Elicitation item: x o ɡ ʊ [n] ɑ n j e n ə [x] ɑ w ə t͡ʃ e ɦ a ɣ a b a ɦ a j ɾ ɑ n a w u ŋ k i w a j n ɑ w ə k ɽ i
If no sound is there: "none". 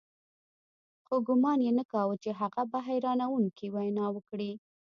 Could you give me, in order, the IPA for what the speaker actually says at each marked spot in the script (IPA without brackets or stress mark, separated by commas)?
m, k